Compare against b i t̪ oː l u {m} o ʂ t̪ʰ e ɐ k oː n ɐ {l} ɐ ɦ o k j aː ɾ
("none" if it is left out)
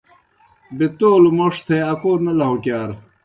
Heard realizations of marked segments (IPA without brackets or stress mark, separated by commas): m, l